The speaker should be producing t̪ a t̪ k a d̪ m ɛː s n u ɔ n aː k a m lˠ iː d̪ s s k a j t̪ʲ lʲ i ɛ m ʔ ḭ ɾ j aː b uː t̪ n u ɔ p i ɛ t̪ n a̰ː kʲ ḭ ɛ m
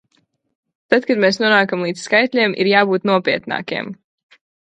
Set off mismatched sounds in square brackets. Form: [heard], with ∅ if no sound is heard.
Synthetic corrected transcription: t̪ a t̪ k a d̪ m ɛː s n u ɔ n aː k a m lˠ iː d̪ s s k a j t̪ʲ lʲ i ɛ m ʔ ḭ ɾ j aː b uː t̪ n u ɔ p i ɛ t̪ n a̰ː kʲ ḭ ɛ m